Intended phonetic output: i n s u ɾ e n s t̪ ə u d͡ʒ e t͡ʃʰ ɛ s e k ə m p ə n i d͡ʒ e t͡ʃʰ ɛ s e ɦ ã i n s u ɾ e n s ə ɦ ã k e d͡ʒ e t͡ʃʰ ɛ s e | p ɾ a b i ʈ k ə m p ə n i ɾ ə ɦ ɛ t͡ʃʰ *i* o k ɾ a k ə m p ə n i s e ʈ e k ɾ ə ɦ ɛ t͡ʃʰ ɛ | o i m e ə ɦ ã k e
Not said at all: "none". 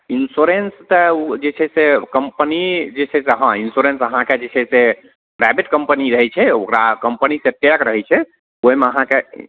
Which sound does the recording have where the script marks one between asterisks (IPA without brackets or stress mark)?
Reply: ɛ